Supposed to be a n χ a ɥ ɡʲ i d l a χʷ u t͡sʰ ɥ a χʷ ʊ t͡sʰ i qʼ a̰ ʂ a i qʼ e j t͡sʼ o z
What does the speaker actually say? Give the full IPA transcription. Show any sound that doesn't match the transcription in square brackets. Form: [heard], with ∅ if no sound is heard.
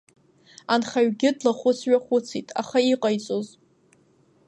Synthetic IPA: a n χ a ɥ ɡʲ [ɪ] d l a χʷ [ʊ] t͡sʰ ɥ a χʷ ʊ t͡sʰ i [tʼ] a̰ [χ] a i qʼ [a] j t͡sʼ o z